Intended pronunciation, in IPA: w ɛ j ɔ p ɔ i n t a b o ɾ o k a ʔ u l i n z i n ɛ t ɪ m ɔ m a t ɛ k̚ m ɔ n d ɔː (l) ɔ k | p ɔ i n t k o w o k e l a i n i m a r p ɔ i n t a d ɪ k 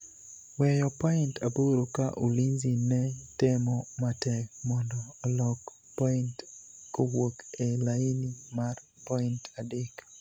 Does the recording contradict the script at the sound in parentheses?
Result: no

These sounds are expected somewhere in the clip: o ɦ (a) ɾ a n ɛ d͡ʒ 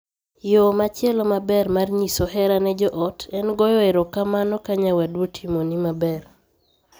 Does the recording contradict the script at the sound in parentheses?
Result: yes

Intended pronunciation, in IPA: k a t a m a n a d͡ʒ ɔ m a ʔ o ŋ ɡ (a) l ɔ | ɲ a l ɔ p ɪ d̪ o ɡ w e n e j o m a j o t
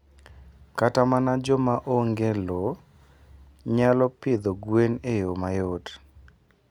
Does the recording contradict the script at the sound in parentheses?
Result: yes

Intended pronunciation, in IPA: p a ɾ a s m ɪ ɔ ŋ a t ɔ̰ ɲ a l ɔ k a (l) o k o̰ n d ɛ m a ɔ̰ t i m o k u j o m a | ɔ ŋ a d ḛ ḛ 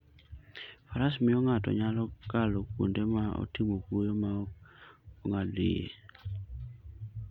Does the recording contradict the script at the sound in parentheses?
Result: no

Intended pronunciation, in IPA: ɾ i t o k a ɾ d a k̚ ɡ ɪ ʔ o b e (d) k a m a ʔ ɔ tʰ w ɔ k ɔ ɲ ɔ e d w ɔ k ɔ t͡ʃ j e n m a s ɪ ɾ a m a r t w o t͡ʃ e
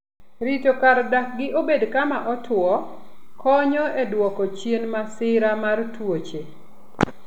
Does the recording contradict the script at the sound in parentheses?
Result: no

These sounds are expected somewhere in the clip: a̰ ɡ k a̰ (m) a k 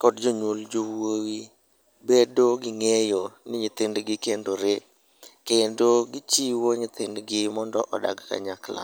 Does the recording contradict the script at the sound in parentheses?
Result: yes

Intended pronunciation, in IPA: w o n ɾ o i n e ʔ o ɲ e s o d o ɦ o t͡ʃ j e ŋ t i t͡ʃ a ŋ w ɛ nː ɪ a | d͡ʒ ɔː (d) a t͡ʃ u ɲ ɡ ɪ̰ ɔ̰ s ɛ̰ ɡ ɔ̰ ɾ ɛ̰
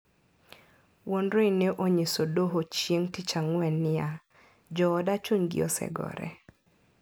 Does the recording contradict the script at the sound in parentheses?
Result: no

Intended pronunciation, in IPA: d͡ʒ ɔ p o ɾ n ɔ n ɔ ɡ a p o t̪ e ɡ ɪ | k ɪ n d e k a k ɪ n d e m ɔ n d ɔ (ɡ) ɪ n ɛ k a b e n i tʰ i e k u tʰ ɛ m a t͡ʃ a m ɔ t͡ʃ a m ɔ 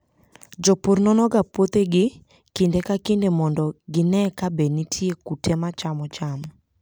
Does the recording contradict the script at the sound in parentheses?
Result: no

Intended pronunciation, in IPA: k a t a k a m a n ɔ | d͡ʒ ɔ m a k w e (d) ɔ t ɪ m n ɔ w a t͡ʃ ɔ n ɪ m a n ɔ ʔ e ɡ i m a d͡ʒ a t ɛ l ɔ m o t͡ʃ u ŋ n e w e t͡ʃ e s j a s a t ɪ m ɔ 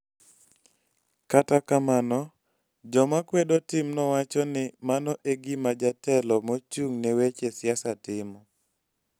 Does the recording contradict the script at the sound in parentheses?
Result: no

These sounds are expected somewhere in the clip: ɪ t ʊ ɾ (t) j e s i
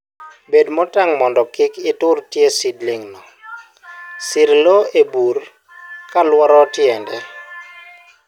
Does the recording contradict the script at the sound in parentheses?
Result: no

